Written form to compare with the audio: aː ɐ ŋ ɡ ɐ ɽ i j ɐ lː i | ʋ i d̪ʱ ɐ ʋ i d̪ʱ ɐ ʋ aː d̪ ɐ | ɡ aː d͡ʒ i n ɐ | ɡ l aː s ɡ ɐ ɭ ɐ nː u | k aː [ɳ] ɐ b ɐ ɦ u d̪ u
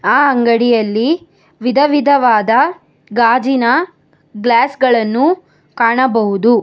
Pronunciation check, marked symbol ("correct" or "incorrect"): correct